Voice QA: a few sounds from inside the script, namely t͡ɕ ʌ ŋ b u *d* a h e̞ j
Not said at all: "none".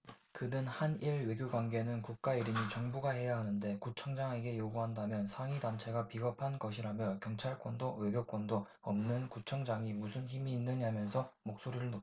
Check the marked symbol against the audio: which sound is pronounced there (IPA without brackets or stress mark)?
ɡ